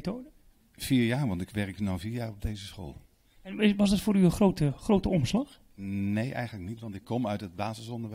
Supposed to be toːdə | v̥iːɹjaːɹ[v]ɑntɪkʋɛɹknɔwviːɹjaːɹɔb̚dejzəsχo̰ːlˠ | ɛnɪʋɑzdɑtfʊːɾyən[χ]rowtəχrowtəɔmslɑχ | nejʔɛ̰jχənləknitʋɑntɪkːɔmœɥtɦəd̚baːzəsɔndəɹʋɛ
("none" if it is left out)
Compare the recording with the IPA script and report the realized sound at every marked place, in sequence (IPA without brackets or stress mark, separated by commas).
ʋ, χ